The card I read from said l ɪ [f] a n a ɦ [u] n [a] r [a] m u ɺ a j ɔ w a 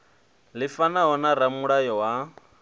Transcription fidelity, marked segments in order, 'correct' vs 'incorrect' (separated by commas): correct, incorrect, correct, correct